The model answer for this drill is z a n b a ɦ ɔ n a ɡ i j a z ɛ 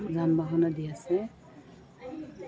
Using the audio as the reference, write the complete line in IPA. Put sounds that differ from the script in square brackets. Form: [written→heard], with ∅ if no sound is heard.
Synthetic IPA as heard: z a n b a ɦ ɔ n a [ɡ→d] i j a [z→s] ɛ